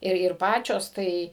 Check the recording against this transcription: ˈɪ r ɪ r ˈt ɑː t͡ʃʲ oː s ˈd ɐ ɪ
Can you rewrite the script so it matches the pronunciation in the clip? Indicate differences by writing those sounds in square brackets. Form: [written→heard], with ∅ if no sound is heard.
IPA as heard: ˈɪ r ɪ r [ˈt→ˈp] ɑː t͡ʃʲ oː s [ˈd→ˈt] ɐ ɪ